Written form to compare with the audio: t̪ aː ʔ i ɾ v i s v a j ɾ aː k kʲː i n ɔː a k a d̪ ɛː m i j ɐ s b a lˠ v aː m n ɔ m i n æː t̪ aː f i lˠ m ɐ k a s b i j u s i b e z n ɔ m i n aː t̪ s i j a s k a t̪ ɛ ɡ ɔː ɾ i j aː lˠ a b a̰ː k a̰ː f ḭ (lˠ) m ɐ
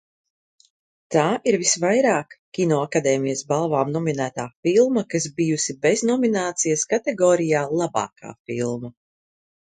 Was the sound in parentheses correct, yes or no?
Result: yes